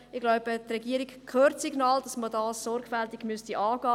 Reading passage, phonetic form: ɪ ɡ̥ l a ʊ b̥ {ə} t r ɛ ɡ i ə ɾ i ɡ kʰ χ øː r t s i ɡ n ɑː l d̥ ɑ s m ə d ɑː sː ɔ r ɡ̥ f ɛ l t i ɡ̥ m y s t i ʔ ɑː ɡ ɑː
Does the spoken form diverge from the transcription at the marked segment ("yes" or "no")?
no